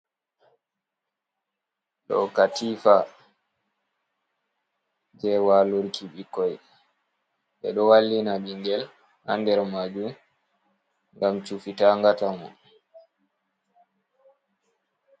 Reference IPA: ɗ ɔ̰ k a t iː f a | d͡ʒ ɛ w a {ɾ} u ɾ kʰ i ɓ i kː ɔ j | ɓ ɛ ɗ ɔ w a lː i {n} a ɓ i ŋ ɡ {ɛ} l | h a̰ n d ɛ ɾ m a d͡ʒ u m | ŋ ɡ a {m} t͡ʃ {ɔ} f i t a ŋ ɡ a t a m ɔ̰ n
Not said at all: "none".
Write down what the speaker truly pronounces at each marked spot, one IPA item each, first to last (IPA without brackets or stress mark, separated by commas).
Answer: l, n, ɛ, m, u